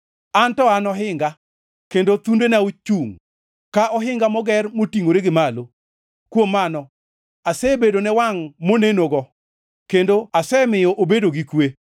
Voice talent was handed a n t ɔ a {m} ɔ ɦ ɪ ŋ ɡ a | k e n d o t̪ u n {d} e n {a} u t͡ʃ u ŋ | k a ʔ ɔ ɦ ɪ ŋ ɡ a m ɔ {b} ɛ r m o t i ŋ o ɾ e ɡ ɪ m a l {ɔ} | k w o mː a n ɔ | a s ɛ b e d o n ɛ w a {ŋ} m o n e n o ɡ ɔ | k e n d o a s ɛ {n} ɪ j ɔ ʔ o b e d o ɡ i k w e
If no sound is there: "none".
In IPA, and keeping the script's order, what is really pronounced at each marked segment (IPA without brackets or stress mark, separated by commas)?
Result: n, d, a, ɡ, o, ŋ, m